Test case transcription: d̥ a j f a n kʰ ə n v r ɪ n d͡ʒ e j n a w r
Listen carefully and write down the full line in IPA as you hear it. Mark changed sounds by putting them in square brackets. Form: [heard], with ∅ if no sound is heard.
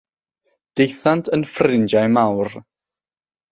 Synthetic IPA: d̥ [e] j [θ] a n [tʰ] ə n [f] r ɪ n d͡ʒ [a] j [m] a w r